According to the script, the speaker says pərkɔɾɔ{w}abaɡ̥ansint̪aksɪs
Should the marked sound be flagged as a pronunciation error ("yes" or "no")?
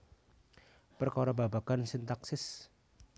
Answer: yes